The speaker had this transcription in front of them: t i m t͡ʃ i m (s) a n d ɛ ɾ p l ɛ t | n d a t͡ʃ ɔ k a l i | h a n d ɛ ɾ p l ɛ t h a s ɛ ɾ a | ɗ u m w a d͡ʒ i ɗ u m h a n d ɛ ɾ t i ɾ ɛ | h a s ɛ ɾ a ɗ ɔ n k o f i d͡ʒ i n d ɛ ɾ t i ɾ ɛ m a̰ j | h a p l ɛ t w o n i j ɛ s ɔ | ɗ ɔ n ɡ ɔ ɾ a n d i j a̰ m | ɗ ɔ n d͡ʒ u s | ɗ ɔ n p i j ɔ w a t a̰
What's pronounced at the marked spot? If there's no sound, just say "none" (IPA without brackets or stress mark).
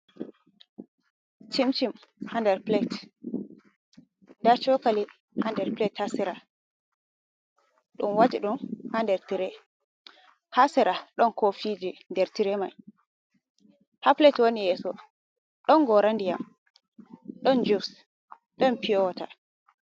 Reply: h